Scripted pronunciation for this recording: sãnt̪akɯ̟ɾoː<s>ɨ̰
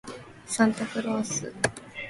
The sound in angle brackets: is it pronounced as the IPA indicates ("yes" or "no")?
yes